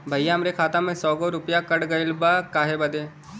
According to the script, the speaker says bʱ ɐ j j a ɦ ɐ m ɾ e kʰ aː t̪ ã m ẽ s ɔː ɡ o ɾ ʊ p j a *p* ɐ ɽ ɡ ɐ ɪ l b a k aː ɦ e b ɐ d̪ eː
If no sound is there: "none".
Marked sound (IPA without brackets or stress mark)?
k